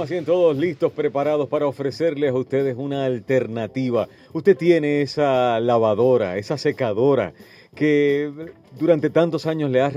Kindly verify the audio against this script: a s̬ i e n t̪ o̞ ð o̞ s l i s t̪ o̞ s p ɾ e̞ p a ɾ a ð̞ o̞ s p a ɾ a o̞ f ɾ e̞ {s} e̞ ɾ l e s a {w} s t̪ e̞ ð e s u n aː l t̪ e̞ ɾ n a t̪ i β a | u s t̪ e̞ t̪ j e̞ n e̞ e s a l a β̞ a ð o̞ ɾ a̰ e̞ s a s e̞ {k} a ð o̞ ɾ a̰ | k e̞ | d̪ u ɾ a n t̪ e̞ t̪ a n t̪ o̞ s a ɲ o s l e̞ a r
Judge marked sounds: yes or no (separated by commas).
yes, no, yes